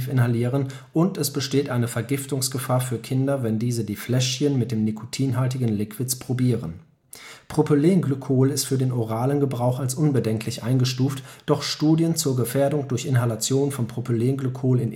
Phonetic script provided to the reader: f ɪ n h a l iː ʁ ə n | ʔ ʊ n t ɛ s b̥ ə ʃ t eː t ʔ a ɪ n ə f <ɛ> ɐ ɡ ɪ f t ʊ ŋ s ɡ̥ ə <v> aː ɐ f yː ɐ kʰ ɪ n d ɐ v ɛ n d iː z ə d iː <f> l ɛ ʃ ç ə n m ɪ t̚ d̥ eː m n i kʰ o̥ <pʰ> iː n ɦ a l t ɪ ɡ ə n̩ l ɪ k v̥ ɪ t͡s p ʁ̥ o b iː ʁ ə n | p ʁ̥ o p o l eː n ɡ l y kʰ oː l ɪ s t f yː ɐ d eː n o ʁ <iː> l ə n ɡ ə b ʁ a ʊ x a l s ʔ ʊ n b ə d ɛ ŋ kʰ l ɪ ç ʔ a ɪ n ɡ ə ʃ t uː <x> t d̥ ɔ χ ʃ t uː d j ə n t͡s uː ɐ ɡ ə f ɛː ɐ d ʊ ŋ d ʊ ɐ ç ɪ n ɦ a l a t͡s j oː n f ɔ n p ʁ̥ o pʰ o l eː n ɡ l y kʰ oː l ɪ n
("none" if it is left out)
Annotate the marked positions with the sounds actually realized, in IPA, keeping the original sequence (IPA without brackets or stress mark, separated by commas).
ɛ, f, f, tʰ, aː, f